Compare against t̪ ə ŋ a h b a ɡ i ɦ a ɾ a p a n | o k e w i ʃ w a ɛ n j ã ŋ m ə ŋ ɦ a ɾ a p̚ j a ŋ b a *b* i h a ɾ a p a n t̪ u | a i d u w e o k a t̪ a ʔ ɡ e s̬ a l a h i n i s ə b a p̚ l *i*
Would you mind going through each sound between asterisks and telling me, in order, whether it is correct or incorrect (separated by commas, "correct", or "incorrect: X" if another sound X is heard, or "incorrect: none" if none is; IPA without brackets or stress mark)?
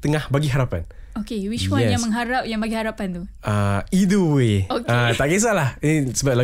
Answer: incorrect: ɡ, incorrect: a